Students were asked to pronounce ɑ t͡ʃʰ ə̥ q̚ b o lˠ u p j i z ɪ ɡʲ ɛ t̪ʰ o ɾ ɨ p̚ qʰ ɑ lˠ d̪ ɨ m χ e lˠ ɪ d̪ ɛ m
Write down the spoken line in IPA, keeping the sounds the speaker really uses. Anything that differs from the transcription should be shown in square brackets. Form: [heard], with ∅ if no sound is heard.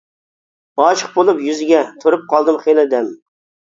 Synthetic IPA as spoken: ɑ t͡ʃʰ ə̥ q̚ b o lˠ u p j [y] z ɪ ɡʲ ɛ t̪ʰ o ɾ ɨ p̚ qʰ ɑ lˠ d̪ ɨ m χ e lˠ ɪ d̪ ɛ m